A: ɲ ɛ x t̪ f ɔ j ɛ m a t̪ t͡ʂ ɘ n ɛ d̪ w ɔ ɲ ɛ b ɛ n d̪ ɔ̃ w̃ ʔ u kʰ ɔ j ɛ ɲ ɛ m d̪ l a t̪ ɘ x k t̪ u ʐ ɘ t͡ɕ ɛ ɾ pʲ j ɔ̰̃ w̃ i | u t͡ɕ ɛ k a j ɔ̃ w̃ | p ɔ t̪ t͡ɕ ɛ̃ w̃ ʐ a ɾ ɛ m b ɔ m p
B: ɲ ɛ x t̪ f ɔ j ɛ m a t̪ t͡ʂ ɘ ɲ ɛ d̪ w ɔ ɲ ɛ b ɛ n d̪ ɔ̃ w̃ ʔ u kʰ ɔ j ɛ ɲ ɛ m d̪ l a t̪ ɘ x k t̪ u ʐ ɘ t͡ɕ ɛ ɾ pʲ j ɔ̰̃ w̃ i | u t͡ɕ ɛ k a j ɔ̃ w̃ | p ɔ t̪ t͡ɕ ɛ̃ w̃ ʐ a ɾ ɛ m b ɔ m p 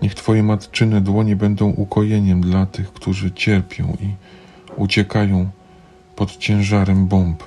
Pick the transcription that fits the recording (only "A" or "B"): A